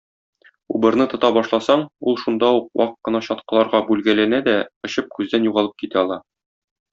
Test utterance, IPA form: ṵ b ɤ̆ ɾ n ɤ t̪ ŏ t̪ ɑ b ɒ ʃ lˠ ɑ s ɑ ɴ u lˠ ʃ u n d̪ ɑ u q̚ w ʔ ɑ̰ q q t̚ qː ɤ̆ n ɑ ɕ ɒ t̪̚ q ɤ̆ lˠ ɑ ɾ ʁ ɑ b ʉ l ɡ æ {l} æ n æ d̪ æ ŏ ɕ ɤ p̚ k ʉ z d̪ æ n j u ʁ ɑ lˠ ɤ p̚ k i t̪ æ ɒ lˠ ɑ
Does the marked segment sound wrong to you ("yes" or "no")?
no